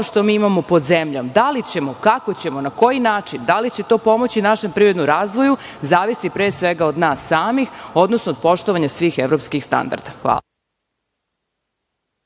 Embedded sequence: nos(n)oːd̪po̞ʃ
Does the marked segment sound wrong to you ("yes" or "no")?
no